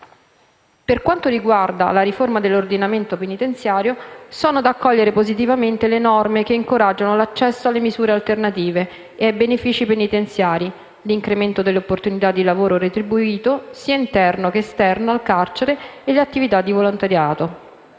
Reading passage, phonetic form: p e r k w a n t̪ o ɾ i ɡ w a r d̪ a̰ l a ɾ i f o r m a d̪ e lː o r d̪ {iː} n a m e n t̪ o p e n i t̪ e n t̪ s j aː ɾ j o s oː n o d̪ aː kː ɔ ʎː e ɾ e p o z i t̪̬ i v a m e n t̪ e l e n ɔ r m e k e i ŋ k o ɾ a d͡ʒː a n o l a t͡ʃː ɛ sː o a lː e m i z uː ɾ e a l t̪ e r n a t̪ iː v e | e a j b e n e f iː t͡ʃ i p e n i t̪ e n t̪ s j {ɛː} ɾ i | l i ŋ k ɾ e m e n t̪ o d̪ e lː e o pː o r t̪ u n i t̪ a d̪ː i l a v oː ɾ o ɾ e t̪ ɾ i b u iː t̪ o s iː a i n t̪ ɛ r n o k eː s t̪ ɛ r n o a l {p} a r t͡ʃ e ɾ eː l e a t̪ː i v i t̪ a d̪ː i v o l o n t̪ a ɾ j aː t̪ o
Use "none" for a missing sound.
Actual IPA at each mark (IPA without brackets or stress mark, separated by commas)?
i, aː, k